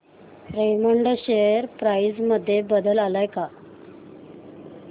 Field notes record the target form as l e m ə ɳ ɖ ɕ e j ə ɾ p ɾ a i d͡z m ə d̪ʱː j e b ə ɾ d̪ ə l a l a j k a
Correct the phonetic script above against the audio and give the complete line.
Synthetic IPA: ɾ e m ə ɳ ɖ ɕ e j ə ɾ p ɾ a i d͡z m ə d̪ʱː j e b ə d̪ ə l a l a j k a

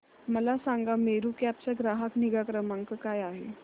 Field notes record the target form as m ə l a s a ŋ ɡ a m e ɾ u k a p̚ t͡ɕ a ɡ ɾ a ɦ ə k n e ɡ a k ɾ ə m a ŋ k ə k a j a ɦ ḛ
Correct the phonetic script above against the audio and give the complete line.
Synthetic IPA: m ə l a s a ŋ ɡ a m e ɾ u k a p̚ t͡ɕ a ɡ ɾ a ɦ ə k n i ɡ a k ɾ ə m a ŋ k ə k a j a ɦ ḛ

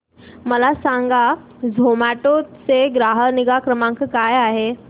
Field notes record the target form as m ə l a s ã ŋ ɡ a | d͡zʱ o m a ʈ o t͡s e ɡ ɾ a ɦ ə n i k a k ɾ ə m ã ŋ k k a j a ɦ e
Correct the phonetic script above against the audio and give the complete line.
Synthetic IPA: m ə l a s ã ŋ ɡ a | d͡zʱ o m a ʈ o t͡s e ɡ ɾ a ɦ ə n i ɡ a k ɾ ə m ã ŋ k k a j a ɦ e

